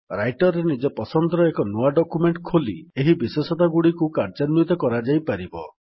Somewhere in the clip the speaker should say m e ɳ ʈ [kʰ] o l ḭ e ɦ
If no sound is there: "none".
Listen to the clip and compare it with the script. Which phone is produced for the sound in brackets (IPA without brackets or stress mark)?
kʰ